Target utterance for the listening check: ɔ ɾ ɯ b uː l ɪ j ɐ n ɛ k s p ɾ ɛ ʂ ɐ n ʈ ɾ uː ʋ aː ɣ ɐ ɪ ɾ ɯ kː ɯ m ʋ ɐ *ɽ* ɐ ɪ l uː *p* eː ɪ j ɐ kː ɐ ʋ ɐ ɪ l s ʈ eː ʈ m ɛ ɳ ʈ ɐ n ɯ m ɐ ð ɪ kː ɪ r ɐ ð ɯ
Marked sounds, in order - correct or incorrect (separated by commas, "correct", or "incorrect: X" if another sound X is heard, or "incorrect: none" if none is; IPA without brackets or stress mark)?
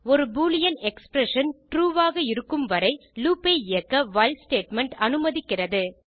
incorrect: ɾ, correct